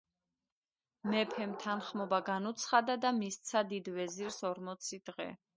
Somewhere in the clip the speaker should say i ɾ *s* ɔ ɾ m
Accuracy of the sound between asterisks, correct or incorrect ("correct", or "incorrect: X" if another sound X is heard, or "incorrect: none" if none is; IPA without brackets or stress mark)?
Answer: correct